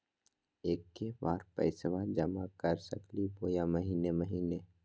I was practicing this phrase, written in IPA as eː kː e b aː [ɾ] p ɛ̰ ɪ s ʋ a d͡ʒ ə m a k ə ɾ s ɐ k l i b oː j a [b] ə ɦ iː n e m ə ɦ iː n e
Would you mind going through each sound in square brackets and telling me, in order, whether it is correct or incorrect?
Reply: correct, incorrect: m

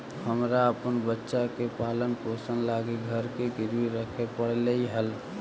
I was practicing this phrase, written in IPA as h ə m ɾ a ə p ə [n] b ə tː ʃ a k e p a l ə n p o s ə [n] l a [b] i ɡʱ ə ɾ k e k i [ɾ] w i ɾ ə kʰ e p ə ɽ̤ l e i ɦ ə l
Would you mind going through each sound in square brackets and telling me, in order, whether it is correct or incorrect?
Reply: correct, correct, incorrect: ɡ, correct

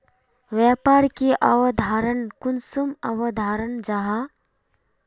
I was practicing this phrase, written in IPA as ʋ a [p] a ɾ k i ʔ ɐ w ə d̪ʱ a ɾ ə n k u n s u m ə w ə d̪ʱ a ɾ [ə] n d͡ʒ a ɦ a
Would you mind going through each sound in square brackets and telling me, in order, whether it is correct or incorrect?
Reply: correct, correct

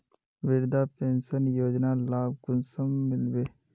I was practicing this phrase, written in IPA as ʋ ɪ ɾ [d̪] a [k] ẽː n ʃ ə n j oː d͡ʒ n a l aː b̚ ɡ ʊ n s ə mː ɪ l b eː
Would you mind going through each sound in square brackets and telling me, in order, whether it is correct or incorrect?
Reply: correct, incorrect: p

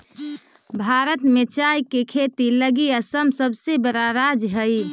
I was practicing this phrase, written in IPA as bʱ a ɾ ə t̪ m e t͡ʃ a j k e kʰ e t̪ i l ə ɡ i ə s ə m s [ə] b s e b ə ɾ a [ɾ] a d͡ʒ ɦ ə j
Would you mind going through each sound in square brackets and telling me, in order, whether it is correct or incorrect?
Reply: correct, correct

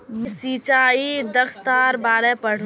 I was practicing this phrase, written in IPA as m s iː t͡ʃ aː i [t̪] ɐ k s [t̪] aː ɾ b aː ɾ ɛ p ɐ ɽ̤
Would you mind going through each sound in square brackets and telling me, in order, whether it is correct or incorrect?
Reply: incorrect: d̪, correct

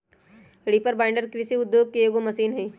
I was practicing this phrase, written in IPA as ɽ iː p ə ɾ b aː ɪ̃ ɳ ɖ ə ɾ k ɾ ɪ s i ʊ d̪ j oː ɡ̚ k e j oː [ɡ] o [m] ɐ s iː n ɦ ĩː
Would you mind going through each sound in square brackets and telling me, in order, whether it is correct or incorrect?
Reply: correct, correct

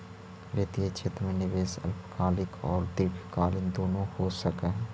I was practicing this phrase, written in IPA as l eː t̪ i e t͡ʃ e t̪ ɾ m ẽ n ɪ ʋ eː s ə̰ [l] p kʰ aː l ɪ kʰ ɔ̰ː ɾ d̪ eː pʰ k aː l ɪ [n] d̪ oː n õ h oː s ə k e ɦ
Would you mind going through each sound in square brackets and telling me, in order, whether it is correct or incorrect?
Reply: correct, correct

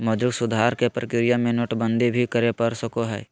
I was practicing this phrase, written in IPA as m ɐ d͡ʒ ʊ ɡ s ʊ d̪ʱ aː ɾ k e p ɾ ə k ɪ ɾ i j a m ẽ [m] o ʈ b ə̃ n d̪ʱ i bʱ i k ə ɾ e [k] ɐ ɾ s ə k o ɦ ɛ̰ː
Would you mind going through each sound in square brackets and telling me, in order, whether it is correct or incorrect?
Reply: incorrect: n, incorrect: p

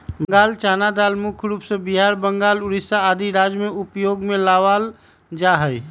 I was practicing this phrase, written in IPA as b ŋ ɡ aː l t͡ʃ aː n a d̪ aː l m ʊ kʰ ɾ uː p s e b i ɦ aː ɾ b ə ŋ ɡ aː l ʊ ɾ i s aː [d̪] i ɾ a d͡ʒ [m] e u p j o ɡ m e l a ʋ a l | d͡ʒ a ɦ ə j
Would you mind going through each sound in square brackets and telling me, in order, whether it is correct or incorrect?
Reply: correct, correct

